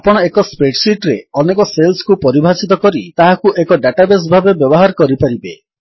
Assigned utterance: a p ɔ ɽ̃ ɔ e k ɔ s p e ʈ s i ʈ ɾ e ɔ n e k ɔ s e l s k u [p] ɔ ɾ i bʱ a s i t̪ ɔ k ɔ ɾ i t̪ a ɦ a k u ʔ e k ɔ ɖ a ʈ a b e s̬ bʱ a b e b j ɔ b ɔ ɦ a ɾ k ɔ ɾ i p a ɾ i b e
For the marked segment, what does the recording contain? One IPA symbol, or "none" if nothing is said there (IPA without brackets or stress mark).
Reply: p